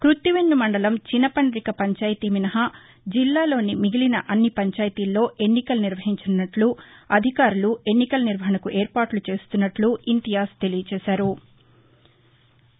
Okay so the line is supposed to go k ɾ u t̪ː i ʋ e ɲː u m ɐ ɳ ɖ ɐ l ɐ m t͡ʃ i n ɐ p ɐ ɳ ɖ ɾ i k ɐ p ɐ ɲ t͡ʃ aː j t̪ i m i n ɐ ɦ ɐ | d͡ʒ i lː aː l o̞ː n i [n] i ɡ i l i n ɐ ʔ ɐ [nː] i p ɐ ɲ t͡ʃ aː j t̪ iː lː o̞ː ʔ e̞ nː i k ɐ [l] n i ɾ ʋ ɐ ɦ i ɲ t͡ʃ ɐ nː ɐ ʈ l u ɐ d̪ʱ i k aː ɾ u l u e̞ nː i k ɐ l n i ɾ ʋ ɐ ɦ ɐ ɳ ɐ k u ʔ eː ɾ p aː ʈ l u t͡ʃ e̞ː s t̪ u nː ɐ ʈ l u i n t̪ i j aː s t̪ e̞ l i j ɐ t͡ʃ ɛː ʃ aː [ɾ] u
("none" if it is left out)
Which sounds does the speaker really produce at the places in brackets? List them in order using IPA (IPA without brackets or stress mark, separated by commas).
m, nː, l, ɾ